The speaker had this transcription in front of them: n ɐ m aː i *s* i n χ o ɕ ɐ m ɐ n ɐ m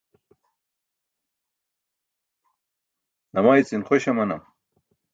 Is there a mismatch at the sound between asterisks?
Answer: yes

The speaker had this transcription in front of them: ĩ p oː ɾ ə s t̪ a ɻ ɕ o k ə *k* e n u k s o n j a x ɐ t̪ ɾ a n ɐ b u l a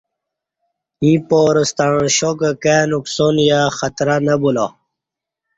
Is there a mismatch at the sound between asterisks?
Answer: no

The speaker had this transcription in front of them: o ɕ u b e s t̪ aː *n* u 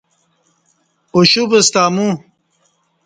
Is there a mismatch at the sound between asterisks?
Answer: yes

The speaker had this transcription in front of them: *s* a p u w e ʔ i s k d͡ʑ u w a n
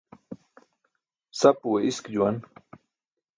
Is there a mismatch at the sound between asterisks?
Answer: no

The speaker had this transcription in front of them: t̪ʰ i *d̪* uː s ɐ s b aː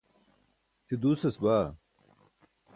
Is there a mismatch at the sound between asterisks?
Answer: no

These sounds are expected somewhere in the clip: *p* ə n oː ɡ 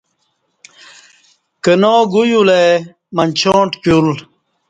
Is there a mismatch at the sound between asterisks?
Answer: yes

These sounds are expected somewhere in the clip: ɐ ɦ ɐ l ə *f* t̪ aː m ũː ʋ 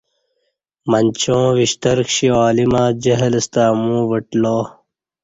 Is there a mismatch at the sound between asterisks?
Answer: yes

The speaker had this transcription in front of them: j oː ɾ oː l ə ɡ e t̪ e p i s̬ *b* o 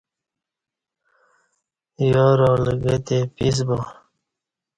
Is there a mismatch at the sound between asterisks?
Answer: no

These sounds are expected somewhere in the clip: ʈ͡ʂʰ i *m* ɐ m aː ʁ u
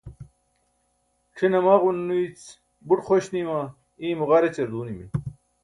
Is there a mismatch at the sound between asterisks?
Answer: yes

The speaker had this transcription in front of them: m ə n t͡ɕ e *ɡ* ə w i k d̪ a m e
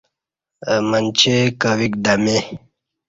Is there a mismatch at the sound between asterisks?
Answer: yes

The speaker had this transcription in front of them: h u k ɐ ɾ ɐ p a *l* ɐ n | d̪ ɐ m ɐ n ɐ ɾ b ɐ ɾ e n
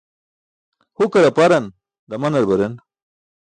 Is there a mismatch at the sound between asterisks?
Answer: yes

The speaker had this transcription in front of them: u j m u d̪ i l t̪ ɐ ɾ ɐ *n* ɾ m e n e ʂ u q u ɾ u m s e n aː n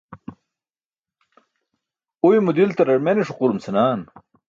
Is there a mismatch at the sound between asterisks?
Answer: yes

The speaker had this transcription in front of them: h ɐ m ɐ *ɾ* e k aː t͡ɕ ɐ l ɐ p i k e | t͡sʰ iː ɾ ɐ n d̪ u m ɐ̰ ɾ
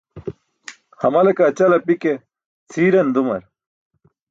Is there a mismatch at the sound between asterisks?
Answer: yes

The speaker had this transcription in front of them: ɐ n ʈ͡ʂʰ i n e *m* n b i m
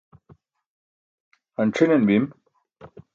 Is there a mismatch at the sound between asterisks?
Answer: yes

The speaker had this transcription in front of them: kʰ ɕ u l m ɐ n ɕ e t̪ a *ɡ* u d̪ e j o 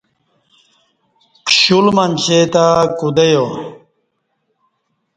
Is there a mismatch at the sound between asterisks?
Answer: yes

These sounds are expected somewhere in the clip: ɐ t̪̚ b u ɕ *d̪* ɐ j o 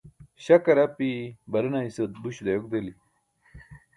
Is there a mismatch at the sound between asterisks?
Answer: no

